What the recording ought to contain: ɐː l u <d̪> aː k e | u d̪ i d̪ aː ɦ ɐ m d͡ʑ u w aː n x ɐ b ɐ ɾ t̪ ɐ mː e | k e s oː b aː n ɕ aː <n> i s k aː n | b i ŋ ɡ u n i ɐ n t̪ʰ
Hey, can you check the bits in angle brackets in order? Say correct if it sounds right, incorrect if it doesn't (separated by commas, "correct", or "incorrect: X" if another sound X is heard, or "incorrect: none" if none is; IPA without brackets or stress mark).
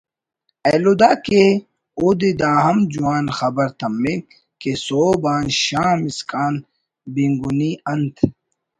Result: correct, incorrect: m